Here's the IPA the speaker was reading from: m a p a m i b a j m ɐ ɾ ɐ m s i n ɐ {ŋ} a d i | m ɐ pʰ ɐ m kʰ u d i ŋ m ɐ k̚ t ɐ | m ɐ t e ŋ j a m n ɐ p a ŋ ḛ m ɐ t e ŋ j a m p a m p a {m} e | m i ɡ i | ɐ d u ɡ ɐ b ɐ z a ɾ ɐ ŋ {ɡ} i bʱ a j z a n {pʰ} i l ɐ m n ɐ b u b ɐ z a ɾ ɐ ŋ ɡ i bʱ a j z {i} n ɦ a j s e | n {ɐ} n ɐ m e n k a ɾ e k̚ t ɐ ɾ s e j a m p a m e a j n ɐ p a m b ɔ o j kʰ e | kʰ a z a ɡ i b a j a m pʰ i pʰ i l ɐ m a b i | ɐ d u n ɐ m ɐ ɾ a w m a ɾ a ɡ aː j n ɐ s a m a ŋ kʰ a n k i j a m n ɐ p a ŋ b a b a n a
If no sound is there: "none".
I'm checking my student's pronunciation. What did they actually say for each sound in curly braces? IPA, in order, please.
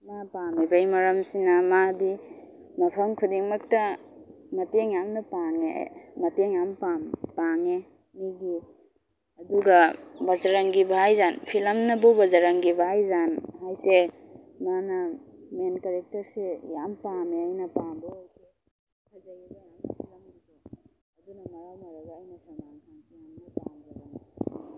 m, ŋ, ɡ, pʰ, a, a

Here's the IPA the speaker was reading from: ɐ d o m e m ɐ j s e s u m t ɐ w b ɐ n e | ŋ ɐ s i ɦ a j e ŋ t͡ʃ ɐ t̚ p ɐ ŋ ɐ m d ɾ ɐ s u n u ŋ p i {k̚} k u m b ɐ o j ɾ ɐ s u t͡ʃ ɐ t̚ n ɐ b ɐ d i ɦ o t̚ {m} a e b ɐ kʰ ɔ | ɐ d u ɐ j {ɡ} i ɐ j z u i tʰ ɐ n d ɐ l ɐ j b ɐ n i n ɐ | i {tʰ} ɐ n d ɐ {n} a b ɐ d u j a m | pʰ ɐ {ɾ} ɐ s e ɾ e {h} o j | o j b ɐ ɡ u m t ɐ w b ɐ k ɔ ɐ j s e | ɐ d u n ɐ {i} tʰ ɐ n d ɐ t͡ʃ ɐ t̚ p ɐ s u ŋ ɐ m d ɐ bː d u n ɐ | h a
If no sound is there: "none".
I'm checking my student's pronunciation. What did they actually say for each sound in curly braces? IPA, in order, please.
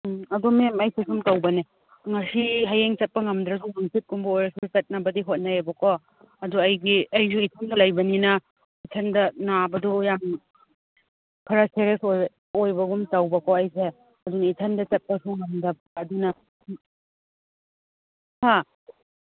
t̚, n, ɡ, tʰ, n, ɾ, s, i

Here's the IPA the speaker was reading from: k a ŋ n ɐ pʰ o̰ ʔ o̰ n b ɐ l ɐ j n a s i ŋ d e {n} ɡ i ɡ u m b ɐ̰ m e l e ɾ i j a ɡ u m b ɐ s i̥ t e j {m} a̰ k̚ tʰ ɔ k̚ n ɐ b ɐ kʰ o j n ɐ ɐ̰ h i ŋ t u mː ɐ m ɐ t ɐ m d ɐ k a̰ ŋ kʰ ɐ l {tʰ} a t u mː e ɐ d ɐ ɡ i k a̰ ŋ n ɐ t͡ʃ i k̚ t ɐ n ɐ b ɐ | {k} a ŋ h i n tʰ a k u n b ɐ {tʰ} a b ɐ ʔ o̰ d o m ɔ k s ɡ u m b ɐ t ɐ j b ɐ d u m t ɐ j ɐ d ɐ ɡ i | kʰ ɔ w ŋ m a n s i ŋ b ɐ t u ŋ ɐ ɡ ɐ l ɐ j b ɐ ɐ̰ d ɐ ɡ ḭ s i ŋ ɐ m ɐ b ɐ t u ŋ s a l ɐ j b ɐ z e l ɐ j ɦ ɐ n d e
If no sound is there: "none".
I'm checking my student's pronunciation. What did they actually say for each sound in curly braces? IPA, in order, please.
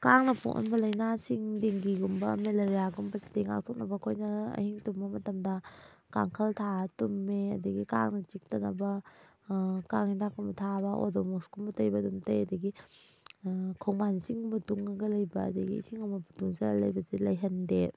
ŋ, ŋ, tʰ, k, tʰ

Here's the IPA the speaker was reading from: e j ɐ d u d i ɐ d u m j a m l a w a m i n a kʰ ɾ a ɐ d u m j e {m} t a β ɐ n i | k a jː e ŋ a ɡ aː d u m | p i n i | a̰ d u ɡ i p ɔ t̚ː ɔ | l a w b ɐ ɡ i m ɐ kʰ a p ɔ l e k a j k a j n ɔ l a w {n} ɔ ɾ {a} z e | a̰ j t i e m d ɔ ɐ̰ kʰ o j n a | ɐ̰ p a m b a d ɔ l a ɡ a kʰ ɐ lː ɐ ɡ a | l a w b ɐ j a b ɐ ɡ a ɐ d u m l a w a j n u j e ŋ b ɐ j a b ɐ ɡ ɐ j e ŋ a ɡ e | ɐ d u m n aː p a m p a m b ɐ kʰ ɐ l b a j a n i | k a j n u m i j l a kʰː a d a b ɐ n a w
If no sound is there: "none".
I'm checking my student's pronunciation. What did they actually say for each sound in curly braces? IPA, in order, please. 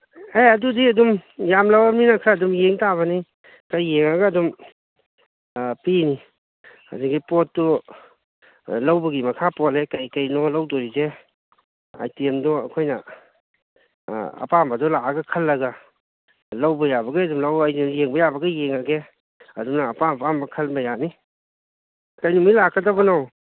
ŋ, d, i

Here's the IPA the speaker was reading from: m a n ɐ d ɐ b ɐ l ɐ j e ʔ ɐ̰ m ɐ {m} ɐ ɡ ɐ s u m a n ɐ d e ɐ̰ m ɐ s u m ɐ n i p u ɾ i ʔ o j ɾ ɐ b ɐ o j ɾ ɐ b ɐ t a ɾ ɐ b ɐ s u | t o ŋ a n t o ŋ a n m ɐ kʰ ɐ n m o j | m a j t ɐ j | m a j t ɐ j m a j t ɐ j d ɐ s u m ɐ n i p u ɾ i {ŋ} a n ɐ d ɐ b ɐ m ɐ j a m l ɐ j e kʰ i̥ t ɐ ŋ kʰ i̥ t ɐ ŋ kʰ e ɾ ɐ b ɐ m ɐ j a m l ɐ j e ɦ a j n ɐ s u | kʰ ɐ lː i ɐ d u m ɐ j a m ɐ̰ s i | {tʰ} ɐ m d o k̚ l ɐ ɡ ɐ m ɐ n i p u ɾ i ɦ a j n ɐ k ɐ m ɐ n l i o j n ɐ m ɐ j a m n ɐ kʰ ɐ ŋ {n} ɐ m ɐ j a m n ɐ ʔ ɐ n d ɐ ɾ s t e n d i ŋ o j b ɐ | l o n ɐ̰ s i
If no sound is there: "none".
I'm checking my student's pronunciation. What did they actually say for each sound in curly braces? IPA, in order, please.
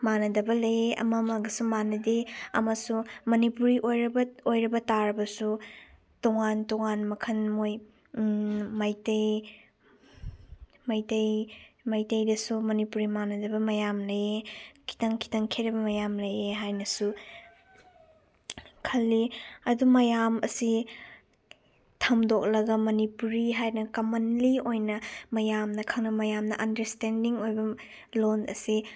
m, m, tʰ, n

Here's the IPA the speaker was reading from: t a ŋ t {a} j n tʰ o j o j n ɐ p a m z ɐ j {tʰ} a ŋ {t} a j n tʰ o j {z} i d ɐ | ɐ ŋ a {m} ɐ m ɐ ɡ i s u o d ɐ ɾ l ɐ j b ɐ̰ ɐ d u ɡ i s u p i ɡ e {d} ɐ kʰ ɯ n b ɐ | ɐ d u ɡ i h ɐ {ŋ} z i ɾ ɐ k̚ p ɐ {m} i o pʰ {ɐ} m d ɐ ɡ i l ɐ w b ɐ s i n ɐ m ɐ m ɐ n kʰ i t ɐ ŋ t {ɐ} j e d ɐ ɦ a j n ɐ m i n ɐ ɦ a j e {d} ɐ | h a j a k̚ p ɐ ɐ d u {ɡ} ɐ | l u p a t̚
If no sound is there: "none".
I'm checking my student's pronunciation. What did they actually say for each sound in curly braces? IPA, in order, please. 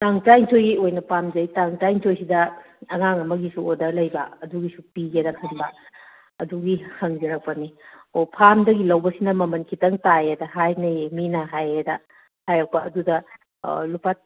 a, t, t, s, ŋ, d, ŋ, n, a, a, d, d

